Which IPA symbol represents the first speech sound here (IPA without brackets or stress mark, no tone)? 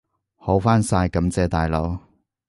h